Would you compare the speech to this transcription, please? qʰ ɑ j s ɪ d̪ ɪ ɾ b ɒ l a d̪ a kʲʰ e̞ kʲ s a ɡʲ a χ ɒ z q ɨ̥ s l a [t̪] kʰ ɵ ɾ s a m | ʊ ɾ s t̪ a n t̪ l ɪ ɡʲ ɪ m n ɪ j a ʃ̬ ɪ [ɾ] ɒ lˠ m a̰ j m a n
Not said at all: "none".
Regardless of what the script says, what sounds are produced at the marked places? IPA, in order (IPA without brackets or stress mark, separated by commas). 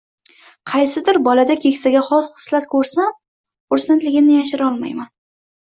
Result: t̪, ɾ